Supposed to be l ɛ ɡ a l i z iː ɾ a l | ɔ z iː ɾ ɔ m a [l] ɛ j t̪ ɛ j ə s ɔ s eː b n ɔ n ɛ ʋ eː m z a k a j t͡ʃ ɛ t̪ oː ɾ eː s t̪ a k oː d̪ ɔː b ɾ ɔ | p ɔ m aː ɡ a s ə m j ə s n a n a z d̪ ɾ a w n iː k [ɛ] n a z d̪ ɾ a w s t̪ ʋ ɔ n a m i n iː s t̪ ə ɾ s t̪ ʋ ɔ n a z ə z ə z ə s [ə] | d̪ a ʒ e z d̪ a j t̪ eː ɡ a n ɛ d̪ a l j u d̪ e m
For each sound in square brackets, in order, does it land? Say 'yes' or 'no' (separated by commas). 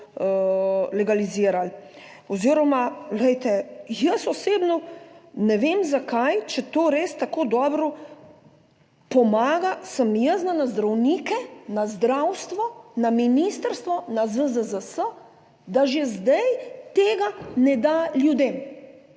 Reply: yes, yes, yes